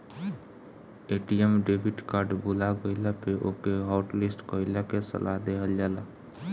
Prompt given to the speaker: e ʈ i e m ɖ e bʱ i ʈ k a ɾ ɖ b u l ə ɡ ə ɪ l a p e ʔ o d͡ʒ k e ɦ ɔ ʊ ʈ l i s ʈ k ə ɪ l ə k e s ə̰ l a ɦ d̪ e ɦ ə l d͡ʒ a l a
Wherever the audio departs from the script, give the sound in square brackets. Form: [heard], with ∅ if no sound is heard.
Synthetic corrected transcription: e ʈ i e m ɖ e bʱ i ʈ k a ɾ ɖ b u l [a] ɡ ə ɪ l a p e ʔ o [∅] k e ɦ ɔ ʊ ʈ l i s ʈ k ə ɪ l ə k e s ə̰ l a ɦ d̪ e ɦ ə l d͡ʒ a l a